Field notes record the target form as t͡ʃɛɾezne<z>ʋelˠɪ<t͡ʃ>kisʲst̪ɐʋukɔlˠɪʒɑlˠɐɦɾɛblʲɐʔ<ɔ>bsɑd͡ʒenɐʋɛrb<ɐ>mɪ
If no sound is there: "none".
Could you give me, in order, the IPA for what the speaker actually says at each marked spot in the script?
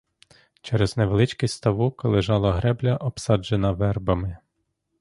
none, t͡ʃ, ɔ, ɐ

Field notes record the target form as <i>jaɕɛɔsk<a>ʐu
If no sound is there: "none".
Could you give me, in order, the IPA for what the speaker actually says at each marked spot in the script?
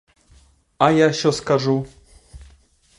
a, a

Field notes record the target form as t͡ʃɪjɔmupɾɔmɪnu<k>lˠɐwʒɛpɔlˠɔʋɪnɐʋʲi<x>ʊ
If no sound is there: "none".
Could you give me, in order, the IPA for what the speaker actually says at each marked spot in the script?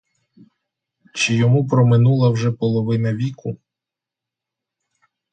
none, k

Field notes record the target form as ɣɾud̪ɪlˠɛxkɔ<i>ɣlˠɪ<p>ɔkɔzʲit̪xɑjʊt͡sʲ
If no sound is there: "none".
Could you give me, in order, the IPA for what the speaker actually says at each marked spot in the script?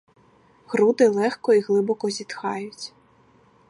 i, b

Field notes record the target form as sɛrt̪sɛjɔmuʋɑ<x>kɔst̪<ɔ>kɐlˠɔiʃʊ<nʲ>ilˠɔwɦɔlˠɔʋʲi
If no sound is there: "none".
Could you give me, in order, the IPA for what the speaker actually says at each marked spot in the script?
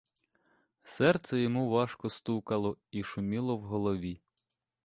ʃ, u, mʲ

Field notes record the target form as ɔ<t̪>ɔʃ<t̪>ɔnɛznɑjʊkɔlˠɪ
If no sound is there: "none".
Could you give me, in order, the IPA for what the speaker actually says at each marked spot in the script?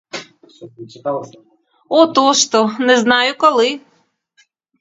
t̪, t̪

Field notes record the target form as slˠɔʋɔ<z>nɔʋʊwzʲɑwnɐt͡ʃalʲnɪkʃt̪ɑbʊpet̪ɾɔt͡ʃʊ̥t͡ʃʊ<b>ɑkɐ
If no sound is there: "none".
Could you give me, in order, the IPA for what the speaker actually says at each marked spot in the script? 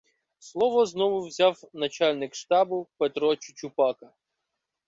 z, p

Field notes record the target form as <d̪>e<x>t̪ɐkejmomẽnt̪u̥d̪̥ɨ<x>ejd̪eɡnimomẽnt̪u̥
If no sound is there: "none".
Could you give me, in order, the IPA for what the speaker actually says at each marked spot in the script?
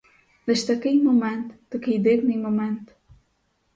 d̪, ʃ, k

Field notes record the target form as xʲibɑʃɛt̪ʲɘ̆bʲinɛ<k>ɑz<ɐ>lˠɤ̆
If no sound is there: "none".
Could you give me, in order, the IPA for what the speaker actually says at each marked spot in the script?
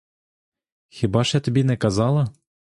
k, ɑ

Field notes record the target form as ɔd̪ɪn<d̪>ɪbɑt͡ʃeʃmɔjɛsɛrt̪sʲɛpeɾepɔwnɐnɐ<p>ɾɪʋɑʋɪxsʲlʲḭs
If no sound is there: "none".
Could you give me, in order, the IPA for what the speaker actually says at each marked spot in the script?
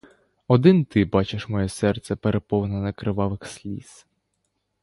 t̪, k

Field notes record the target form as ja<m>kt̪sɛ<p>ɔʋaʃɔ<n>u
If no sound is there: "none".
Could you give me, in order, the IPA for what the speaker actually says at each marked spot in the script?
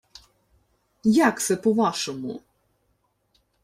none, p, m

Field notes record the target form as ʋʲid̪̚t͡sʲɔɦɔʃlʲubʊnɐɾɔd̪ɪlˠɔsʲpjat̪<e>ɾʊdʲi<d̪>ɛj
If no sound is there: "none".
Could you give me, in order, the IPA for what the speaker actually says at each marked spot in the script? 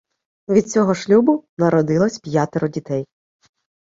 e, t̪

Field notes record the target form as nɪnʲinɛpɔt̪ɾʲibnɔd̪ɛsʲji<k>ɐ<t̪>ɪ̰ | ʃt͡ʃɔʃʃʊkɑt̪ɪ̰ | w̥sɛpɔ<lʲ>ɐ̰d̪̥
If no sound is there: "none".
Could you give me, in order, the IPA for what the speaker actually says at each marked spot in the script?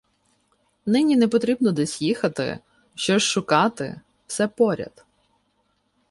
x, t̪, ɾʲ

